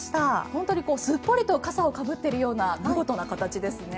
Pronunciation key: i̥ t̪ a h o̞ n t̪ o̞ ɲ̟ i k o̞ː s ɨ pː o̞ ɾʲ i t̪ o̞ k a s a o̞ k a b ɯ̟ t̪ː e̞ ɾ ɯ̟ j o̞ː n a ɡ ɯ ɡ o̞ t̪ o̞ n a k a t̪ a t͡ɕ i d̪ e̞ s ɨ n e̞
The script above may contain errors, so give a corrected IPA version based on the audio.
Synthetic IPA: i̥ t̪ a h õ̞ n t̪ o̞ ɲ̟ i k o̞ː s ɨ pː o̞ ɾʲ i t̪ o̞ k a s a o̞ k a b ɯ̟ t̪ː e̞ ɾ ɯ̟ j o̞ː n a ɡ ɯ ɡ o̞ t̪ o̞ n a k a t̪ a t͡ɕ i d̪ e̞ s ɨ n e̞